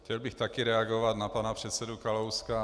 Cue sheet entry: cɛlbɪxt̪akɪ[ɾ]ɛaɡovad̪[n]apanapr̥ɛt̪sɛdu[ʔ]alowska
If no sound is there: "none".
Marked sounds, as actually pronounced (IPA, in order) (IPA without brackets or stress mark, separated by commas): ɾ, n, k